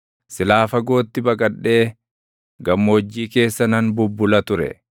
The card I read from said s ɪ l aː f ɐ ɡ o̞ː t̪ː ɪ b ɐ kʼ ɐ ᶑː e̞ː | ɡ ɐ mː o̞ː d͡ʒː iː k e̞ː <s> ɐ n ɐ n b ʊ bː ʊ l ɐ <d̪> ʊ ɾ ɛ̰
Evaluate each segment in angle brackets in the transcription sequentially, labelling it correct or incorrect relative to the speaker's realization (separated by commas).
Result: incorrect, incorrect